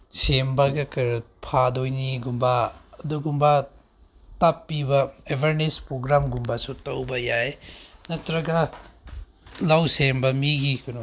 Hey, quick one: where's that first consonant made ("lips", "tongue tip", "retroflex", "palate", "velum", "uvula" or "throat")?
tongue tip